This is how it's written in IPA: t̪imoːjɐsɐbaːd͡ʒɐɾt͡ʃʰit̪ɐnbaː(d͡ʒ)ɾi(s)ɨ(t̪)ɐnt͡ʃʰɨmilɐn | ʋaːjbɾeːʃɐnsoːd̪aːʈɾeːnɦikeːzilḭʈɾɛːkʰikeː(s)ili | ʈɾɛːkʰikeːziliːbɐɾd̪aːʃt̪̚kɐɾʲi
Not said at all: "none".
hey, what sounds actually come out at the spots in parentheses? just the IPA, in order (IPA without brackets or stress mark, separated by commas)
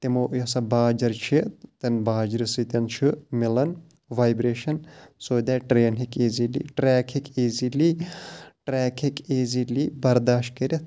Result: d͡ʒ, s, t̪, z